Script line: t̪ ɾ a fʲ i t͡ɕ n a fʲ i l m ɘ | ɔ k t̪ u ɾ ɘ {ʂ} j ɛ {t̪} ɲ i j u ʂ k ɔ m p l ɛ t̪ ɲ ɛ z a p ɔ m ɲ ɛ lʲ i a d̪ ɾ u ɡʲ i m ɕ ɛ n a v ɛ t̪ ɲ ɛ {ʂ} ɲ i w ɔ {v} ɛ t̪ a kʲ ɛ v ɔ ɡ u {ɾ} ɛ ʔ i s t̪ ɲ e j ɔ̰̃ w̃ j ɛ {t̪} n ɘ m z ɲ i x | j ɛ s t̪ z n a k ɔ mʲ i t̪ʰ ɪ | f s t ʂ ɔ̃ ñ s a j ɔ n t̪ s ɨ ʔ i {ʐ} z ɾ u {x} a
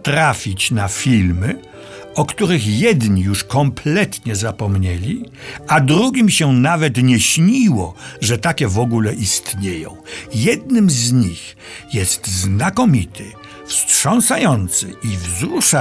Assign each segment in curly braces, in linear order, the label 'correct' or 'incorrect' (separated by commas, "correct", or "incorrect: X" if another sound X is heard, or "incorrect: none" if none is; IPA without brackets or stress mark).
incorrect: x, incorrect: d̪, incorrect: ɕ, incorrect: ʐ, incorrect: l, incorrect: d̪, incorrect: v, incorrect: ʂ